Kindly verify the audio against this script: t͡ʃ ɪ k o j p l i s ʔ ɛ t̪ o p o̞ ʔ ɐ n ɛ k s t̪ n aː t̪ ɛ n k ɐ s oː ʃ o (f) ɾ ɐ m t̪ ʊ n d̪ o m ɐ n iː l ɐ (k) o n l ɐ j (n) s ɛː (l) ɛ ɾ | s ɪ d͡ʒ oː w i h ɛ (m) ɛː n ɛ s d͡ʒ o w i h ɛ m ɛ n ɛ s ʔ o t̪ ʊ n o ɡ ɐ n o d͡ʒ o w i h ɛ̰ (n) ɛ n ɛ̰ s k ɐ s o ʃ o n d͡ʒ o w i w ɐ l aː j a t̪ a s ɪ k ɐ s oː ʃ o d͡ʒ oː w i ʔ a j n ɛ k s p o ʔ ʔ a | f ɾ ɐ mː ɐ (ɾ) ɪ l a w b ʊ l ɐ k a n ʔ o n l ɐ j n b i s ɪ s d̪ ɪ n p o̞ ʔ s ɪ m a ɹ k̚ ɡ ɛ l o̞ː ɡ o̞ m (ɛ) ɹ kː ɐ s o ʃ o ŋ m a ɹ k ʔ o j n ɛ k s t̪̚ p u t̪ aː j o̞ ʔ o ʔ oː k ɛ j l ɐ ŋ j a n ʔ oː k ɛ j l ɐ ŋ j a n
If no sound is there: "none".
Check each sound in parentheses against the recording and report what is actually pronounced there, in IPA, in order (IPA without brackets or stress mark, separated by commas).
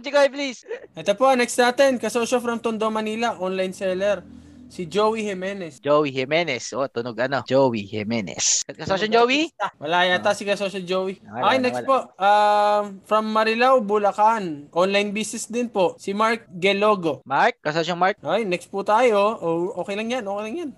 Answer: f, ʔ, n, l, m, m, ɾ, a